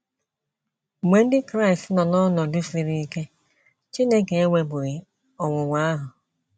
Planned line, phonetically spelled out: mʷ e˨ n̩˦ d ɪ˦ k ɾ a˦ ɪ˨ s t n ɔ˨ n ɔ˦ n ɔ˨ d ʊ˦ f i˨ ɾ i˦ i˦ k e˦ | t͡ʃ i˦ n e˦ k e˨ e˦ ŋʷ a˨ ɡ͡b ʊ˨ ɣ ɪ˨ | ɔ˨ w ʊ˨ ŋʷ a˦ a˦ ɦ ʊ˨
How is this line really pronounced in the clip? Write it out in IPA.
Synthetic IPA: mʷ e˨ n̩˦ d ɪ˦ k ɾ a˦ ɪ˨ s t n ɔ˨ n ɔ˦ n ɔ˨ d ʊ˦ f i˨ ɾ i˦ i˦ k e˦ | t͡ʃ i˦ n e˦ k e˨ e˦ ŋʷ e˨ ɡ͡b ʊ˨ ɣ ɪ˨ | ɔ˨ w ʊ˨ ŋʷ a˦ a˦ ɦ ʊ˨